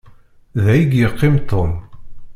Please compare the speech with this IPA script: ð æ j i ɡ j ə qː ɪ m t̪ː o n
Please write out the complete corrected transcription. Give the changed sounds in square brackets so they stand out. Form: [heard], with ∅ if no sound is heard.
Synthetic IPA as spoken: ð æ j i ɡ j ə qː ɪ m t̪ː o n